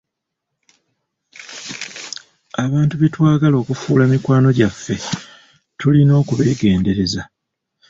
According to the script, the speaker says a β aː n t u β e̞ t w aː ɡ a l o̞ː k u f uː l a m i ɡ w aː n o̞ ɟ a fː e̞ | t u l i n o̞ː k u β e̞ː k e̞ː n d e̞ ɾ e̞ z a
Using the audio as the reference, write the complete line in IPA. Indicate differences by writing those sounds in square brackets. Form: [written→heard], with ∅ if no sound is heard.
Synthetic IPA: a β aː n t u β e̞ t w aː ɡ a l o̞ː k u f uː l a m i [ɡ→k] w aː n o̞ ɟ a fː e̞ | t u l i n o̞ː k u β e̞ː [k→ɡ] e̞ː n d e̞ ɾ e̞ z a